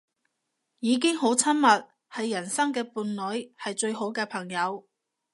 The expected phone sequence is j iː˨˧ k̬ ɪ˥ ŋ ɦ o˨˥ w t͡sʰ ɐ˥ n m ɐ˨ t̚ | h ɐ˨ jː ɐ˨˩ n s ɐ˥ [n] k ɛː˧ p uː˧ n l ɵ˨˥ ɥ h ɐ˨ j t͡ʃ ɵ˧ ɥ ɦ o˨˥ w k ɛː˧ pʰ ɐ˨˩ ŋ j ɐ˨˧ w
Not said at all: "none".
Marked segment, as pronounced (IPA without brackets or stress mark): ŋ